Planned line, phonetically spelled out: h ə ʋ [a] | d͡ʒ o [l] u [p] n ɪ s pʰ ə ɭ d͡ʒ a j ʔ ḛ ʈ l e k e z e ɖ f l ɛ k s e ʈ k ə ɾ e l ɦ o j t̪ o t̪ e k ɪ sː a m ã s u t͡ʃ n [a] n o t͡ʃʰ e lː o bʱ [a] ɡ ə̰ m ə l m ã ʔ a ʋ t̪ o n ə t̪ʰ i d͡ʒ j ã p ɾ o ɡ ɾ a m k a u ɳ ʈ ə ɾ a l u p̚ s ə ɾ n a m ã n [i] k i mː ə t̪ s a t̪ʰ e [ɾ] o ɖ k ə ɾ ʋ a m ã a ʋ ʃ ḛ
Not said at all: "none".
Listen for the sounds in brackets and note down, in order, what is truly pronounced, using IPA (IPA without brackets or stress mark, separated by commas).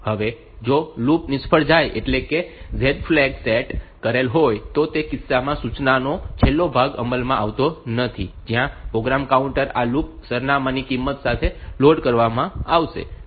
e, l, p, a, a, i, l